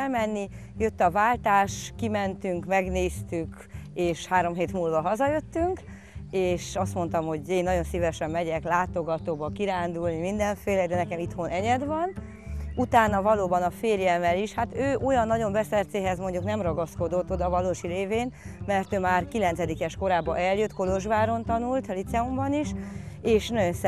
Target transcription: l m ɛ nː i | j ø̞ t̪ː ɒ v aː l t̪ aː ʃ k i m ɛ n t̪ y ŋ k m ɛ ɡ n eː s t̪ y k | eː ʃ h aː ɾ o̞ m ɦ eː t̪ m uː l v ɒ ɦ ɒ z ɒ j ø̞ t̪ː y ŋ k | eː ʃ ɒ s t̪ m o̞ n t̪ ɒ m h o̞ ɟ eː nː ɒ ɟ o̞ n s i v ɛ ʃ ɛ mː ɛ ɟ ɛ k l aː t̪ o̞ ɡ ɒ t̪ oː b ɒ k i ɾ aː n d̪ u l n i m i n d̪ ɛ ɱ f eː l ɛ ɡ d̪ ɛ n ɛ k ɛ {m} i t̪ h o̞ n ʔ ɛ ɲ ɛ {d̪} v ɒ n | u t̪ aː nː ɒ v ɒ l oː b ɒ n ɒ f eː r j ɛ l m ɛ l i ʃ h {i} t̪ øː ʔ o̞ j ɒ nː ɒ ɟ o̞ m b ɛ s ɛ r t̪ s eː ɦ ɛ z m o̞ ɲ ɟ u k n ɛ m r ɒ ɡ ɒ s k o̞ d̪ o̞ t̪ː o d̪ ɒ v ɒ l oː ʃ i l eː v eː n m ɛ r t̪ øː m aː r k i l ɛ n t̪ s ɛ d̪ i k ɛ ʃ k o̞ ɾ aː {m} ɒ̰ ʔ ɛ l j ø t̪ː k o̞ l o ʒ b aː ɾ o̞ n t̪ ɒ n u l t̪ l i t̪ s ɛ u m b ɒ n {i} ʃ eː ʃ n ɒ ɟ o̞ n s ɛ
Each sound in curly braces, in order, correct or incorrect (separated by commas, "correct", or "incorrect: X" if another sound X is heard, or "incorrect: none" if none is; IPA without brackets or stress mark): correct, correct, incorrect: a, incorrect: b, correct